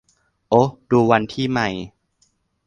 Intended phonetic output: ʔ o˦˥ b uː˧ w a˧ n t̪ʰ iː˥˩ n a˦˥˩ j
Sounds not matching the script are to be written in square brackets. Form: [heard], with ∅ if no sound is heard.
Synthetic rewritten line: ʔ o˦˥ [d] uː˧ w a˧ n t̪ʰ iː˥˩ [m] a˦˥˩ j